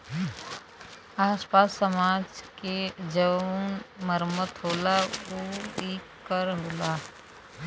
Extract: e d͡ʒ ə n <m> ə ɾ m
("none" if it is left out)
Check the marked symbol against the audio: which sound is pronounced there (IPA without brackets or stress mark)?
m